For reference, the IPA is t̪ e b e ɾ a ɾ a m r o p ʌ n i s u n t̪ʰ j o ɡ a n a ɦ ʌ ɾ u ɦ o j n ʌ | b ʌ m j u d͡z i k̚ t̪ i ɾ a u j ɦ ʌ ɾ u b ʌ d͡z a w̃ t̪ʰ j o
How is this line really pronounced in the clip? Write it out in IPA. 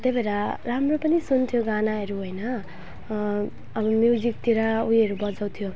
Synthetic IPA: t̪ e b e ɾ a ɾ a m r o p ʌ n i s u n t̪ʰ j o ɡ a n a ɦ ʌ ɾ u ɦ o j n ʌ | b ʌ m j u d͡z i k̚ t̪ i ɾ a u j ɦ ʌ ɾ u b ʌ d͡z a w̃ t̪ʰ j o